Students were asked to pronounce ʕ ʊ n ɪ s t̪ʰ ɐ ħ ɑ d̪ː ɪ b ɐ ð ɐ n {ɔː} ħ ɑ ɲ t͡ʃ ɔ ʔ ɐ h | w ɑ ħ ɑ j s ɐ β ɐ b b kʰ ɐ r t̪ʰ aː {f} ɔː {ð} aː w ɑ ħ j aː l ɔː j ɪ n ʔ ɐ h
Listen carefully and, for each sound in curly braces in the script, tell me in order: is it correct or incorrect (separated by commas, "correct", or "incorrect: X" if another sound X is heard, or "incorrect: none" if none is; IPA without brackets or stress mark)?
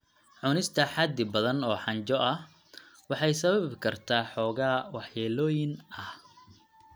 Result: correct, incorrect: ħ, incorrect: ɣ